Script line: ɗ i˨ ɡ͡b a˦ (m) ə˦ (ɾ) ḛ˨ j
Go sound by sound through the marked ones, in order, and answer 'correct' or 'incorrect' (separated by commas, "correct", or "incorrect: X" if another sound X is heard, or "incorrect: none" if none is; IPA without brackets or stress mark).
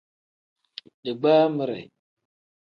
correct, correct